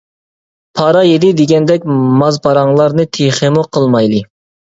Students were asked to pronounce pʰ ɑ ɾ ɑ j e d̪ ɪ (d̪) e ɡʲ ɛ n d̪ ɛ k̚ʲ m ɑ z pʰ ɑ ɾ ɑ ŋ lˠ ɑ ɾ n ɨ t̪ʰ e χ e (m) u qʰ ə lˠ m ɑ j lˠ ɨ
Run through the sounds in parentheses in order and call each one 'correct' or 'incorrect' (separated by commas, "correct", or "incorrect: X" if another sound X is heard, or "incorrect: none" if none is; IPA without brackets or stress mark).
correct, correct